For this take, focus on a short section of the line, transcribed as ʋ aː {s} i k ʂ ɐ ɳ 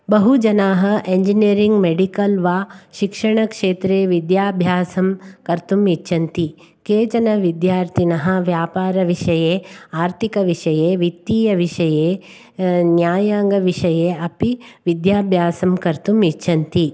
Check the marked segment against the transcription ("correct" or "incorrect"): incorrect